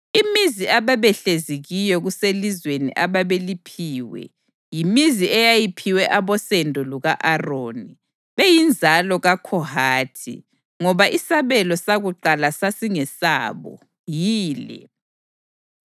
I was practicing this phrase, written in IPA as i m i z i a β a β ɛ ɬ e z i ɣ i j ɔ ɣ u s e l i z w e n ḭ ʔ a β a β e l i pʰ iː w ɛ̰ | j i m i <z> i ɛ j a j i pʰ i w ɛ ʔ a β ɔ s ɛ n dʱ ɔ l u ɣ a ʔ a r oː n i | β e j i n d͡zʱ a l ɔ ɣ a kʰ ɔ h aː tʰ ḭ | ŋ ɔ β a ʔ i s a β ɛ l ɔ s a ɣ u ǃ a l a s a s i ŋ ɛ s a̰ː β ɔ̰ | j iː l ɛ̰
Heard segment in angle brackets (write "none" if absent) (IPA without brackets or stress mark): z